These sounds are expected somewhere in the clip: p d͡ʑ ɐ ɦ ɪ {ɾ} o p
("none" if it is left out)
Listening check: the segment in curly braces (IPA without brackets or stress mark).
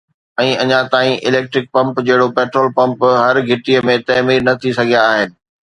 ɽ